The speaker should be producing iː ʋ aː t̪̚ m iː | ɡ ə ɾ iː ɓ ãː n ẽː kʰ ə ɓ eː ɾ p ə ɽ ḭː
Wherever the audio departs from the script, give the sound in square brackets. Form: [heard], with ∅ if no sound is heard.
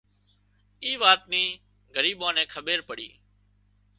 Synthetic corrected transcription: iː ʋ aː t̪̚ [n] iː | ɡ ə ɾ iː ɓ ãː n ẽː kʰ ə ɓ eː ɾ p ə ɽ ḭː